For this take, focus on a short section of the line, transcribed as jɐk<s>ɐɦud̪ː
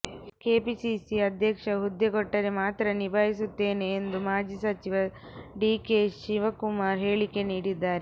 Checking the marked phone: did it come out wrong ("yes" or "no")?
yes